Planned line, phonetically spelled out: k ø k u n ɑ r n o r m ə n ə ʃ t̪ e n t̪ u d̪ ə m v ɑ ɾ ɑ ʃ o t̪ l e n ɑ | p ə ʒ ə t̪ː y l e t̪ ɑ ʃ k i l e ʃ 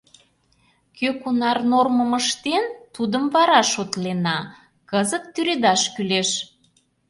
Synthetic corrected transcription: k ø k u n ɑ r n o r m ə m ə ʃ t̪ e n t̪ u d̪ ə m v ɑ ɾ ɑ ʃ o t̪ l e n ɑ | k ə z ə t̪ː y ɾ e d̪ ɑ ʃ k y l e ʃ